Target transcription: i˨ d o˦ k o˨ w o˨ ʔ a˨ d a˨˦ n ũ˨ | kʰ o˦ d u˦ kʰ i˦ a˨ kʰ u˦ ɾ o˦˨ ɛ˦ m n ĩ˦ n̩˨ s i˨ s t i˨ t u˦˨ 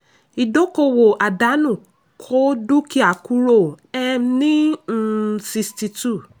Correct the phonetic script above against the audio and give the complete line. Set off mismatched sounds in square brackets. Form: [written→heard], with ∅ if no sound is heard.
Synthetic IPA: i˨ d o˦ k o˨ w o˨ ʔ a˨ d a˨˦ n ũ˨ | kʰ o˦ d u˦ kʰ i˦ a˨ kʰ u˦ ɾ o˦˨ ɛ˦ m n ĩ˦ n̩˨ s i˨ s t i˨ t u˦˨